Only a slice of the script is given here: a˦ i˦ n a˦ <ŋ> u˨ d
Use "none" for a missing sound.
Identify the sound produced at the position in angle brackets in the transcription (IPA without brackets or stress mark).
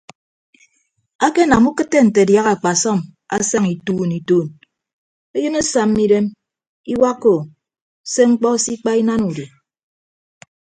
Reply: n